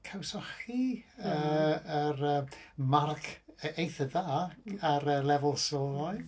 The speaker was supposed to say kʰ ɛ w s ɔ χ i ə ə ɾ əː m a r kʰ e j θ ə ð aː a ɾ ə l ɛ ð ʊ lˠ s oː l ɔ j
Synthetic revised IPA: kʰ a w s ɔ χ i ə ə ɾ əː m a r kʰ e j θ ə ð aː a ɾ ə l ɛ v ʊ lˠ s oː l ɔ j